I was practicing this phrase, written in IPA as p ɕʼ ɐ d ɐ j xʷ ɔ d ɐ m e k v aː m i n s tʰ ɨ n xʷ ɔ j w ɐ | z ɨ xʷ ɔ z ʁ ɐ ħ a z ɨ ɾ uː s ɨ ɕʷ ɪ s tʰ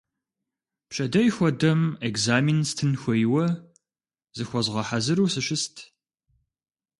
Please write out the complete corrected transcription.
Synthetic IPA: p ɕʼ ɐ d ɐ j xʷ ɔ d ɐ m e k z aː m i n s tʰ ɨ n xʷ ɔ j w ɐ | z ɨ xʷ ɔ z ʁ ɐ ħ a z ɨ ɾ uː s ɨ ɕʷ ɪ s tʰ